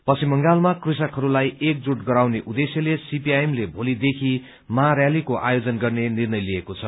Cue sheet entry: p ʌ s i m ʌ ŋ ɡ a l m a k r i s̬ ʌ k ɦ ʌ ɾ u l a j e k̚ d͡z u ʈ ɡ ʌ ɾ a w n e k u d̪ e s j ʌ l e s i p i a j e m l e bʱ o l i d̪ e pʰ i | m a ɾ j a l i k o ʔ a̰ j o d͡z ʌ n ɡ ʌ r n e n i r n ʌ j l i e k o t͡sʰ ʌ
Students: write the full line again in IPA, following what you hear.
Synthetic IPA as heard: p ʌ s i m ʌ ŋ ɡ a l m a k r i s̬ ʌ k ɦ ʌ ɾ u l a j e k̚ d͡z u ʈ ɡ ʌ ɾ a w n e ʔ u d̪ e s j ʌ l e s i p i a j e m l e bʱ o l i d̪ e kʰ i | m a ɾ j a l i k o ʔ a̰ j o d͡z ʌ n ɡ ʌ r n e n i r n ʌ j l i e k o t͡sʰ ʌ